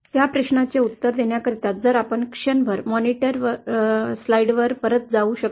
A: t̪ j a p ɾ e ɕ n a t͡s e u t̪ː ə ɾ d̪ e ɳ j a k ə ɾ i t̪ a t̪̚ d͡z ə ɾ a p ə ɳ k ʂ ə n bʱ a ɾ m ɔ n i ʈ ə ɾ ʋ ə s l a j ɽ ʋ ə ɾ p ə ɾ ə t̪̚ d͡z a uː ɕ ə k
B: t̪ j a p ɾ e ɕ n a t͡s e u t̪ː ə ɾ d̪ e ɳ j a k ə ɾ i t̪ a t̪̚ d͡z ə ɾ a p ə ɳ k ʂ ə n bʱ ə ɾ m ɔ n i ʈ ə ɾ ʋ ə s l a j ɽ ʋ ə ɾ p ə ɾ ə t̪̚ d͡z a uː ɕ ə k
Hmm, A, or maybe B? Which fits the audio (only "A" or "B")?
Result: B